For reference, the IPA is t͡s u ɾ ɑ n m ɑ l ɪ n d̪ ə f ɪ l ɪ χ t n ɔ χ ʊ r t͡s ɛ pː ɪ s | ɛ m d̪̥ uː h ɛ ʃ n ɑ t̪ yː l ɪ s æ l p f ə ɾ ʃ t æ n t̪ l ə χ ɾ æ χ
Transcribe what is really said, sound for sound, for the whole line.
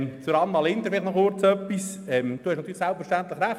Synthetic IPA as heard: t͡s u ɾ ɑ n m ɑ l ɪ n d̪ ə f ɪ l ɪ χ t n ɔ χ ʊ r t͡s œ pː i s | ɛ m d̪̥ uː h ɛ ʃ n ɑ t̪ yː l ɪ s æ l p f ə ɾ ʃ t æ n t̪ l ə χ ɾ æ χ